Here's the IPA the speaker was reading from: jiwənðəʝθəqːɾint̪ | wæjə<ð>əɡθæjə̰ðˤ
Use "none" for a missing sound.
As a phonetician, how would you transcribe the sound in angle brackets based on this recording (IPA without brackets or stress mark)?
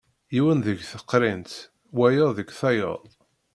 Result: ð